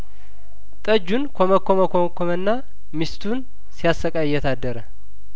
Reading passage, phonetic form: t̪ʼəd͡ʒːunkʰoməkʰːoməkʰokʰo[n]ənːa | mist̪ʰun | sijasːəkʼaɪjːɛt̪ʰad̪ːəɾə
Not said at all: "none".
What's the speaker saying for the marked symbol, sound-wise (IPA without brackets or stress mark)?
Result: m